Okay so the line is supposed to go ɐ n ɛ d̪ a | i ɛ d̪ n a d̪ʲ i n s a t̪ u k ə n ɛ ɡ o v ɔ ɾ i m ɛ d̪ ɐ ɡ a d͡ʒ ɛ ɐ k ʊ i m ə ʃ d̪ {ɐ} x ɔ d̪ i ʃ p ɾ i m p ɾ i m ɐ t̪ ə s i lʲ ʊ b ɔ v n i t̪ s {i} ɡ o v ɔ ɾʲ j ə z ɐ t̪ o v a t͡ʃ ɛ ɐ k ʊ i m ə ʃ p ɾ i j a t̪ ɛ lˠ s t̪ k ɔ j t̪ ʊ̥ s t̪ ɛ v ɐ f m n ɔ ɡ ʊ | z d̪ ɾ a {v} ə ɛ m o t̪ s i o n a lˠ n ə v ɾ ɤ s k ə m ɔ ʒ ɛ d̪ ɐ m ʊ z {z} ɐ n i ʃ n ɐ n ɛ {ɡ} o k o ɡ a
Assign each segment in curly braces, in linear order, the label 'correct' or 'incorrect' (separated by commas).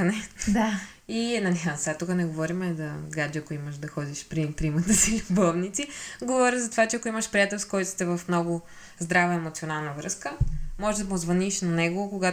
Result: correct, correct, correct, incorrect, correct